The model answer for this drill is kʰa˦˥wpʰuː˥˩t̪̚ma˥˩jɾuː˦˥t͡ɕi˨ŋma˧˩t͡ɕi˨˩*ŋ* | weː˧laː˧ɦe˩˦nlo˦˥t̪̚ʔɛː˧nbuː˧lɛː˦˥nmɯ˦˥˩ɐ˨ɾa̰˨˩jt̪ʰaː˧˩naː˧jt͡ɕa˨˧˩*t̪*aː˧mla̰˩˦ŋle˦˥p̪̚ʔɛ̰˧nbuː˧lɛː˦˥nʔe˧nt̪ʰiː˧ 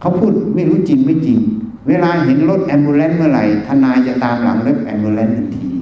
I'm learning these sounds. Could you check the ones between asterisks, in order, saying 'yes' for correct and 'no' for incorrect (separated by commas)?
yes, yes